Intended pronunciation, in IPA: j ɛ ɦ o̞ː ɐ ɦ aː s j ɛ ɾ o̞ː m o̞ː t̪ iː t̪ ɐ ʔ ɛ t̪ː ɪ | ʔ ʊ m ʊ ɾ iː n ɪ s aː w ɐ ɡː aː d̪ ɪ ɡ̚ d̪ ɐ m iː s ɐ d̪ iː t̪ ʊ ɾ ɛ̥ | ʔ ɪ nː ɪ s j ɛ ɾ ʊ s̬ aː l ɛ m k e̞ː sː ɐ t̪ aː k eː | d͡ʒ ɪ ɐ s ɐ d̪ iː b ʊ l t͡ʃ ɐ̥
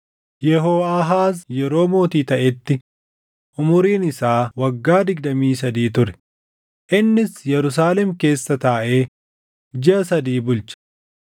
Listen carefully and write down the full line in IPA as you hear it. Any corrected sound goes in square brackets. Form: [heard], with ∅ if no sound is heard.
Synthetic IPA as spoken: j ɛ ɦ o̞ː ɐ ɦ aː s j ɛ ɾ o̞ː m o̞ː t̪ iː t̪ ɐ ʔ ɛ t̪ː ɪ | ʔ ʊ m ʊ ɾ iː n ɪ s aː w ɐ ɡː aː d̪ ɪ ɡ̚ d̪ ɐ m iː s ɐ d̪ iː t̪ ʊ ɾ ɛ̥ | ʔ ɪ nː ɪ s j ɛ ɾ ʊ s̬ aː l ɛ m k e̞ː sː ɐ t̪ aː [ʔ] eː | d͡ʒ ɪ ɐ s ɐ d̪ iː b ʊ l t͡ʃ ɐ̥

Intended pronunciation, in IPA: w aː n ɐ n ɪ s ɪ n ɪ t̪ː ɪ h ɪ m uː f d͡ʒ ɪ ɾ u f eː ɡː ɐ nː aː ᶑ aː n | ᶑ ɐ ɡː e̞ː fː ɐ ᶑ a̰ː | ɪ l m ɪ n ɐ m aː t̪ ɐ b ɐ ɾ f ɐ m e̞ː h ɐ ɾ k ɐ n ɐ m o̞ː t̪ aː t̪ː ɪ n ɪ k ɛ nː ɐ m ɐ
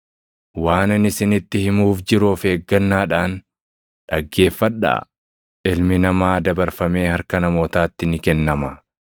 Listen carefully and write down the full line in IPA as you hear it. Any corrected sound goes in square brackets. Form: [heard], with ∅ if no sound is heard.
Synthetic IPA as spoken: w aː n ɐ n ɪ s ɪ n ɪ t̪ː ɪ h ɪ m uː f d͡ʒ ɪ ɾ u f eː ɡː ɐ nː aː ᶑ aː n | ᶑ ɐ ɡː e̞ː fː ɐ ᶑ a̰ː | ɪ l m ɪ n ɐ m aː [d̪] ɐ b ɐ ɾ f ɐ m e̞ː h ɐ ɾ k ɐ n ɐ m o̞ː t̪ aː t̪ː ɪ n ɪ k ɛ nː ɐ m ɐ

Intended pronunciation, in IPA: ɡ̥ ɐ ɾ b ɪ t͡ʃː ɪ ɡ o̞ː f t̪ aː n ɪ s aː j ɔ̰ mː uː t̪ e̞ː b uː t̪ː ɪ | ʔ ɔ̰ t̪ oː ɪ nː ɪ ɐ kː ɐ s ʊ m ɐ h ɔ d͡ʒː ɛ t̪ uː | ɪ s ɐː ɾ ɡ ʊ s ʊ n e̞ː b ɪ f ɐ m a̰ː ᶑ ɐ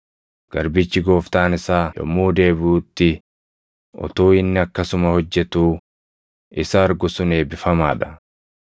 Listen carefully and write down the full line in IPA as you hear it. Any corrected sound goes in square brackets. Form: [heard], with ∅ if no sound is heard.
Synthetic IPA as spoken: ɡ̥ ɐ ɾ b ɪ t͡ʃː ɪ ɡ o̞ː f t̪ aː n ɪ s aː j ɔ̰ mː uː [d̪] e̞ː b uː t̪ː ɪ | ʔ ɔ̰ t̪ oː ɪ nː ɪ ɐ kː ɐ s ʊ m ɐ h ɔ d͡ʒː ɛ t̪ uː | ɪ s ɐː ɾ ɡ ʊ s ʊ n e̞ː b ɪ f ɐ m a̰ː ᶑ ɐ

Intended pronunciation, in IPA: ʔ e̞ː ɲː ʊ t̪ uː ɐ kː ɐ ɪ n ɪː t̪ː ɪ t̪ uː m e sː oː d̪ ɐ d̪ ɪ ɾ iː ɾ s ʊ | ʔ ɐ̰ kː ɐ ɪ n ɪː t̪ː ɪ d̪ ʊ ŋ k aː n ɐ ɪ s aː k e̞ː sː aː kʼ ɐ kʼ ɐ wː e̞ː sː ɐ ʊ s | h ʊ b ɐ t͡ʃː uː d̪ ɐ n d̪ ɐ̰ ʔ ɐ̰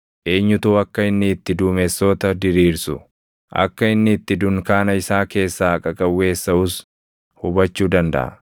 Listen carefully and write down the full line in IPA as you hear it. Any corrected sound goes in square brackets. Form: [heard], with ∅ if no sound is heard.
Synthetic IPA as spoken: ʔ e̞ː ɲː ʊ t̪ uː ɐ kː ɐ ɪ [nː] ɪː t̪ː ɪ [d̪] uː m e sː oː [t̪] ɐ d̪ ɪ ɾ iː ɾ s ʊ | ʔ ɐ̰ kː ɐ ɪ [nː] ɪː t̪ː ɪ d̪ ʊ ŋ k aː n ɐ ɪ s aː k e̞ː sː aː kʼ ɐ kʼ ɐ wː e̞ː sː ɐ ʊ s | h ʊ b ɐ t͡ʃː uː d̪ ɐ n d̪ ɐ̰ ʔ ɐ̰

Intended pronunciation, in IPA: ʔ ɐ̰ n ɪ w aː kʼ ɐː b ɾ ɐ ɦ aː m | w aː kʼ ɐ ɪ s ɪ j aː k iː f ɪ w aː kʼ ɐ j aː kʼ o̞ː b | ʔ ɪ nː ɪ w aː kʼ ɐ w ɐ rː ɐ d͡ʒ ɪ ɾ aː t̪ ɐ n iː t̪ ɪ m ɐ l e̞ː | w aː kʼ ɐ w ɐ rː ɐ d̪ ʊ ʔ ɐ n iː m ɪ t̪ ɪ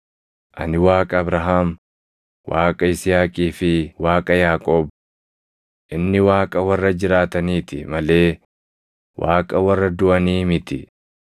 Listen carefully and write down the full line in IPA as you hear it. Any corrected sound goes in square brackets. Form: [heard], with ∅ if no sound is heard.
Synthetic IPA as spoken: ʔ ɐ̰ n ɪ w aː kʼ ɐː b ɾ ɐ ɦ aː m | w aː kʼ ɐ ɪ s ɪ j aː [kʼ] iː f ɪ w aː kʼ ɐ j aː kʼ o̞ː b | ʔ ɪ nː ɪ w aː kʼ ɐ w ɐ rː ɐ d͡ʒ ɪ ɾ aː t̪ ɐ n iː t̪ ɪ m ɐ l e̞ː | w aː kʼ ɐ w ɐ rː ɐ d̪ ʊ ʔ ɐ n iː m ɪ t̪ ɪ

